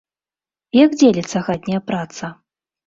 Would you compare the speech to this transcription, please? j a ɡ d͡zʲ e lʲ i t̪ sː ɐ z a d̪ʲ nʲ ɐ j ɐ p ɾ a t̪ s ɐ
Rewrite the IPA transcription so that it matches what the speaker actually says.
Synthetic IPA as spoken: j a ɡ d͡zʲ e lʲ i t̪ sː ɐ ɣ a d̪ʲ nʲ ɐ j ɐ p ɾ a t̪ s ɐ

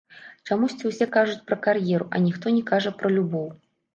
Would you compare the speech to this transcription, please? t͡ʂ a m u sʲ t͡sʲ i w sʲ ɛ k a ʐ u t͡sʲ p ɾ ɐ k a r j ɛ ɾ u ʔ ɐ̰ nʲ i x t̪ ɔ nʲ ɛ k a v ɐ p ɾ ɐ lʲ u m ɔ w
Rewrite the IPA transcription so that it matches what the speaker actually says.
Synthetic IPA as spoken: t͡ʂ a m u sʲ t͡sʲ i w sʲ ɛ k a ʐ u t͡sʲ p ɾ ɐ k a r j ɛ ɾ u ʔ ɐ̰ nʲ i x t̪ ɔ nʲ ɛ k a ʐ ɐ p ɾ ɐ lʲ u b ɔ w

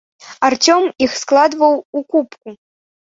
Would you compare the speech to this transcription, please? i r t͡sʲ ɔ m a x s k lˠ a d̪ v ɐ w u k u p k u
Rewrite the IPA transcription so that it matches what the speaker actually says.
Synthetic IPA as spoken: a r t͡sʲ ɔ m i x s k lˠ a d̪ v ɐ w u k u p k u

